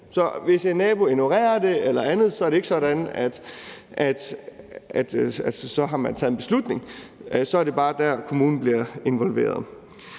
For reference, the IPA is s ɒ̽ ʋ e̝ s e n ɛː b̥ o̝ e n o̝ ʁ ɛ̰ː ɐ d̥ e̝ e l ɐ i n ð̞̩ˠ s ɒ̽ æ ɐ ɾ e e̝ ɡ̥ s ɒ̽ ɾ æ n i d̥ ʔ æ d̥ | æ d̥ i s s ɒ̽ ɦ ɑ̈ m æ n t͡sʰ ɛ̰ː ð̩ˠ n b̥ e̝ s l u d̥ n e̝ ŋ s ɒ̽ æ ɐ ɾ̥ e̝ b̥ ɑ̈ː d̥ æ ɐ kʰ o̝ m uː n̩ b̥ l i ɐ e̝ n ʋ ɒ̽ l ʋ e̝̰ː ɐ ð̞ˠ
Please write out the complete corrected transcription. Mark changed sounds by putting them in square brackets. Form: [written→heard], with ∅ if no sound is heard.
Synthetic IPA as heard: s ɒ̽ ʋ e̝ s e n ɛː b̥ o̝ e n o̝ ʁ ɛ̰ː ɐ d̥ e̝ e l ɐ [i→æ] n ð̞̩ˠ s ɒ̽ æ ɐ ɾ e e̝ ɡ̥ s ɒ̽ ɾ æ n [i→æ] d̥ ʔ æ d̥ | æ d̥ [i→æ] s s ɒ̽ ɦ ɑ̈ m æ n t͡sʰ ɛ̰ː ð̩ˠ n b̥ e̝ s l u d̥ n e̝ ŋ s ɒ̽ æ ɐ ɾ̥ e̝ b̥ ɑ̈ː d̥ æ ɐ kʰ o̝ m uː n̩ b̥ l i ɐ e̝ n ʋ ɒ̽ l ʋ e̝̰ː ɐ ð̞ˠ